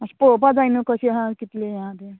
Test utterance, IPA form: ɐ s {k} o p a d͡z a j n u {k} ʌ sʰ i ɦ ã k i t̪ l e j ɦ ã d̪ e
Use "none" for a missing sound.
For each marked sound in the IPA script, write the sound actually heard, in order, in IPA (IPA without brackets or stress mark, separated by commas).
p, k